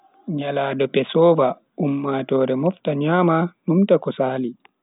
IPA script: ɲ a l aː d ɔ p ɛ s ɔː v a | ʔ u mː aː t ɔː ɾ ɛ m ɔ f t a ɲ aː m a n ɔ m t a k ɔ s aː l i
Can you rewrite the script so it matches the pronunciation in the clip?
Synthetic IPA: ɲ a l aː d ɔ p ɛ s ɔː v a | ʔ u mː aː t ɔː ɾ ɛ m ɔ f t a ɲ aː m a n u m t a k ɔ s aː l i